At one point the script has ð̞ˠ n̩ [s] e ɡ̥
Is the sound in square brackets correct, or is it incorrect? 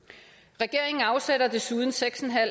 correct